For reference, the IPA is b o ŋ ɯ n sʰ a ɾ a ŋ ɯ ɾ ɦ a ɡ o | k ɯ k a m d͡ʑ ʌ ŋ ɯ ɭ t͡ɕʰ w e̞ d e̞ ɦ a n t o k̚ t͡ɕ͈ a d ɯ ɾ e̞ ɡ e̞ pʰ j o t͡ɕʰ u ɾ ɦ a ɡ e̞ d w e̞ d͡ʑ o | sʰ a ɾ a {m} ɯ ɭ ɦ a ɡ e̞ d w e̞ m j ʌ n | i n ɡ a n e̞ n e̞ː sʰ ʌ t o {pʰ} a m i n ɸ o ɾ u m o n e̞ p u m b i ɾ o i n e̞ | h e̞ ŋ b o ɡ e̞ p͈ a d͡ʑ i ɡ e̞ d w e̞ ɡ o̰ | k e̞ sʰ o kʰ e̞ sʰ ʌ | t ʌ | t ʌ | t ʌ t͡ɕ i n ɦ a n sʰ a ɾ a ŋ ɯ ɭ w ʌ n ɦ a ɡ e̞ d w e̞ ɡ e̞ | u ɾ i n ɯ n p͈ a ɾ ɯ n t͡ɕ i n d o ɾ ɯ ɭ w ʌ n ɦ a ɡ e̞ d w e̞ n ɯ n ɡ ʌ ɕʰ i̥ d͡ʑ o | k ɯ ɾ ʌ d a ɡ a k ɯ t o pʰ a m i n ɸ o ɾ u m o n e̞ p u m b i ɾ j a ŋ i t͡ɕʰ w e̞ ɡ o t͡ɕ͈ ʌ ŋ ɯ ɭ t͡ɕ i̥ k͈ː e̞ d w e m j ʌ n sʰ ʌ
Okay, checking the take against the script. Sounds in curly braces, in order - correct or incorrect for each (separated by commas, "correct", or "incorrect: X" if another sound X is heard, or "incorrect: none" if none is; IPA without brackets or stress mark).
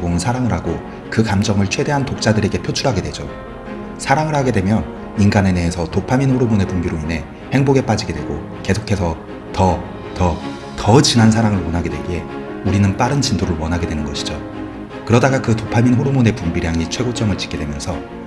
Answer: incorrect: ŋ, correct